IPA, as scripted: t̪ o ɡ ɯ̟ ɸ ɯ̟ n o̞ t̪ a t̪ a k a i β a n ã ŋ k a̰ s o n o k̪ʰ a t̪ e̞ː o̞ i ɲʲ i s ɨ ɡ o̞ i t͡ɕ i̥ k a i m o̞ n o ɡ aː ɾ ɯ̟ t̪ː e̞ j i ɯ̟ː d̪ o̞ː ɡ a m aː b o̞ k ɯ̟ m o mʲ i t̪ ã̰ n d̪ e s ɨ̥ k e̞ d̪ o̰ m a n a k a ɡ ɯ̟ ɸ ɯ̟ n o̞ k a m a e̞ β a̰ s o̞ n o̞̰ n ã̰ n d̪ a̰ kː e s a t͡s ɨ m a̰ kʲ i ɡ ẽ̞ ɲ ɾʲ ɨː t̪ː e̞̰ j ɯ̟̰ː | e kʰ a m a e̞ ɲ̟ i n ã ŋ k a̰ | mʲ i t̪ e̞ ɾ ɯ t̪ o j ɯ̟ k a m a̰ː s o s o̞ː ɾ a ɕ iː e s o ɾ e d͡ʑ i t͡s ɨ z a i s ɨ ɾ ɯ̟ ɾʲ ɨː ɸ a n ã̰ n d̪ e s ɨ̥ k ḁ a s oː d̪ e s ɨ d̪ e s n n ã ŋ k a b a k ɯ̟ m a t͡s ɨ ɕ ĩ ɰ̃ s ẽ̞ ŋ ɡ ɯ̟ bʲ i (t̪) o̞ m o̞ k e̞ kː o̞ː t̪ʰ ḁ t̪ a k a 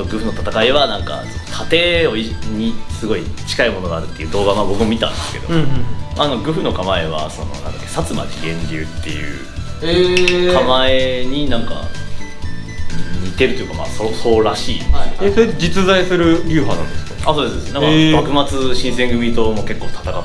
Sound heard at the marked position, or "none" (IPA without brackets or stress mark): t̪